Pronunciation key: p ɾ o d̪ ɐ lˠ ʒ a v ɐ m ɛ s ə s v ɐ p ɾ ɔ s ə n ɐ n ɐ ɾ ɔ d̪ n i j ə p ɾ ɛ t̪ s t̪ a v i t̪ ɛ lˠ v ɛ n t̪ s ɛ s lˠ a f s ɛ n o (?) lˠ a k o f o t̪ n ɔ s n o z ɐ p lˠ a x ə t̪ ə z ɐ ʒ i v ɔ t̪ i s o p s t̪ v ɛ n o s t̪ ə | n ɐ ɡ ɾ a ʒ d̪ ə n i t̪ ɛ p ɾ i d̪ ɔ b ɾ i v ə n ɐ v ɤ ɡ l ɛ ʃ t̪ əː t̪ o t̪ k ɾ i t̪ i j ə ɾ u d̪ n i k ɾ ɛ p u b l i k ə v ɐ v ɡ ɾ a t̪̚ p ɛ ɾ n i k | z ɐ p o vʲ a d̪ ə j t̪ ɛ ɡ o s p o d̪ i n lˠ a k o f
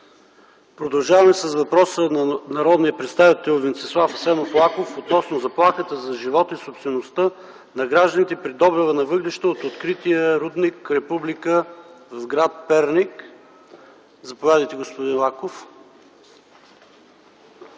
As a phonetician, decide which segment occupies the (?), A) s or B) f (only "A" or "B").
B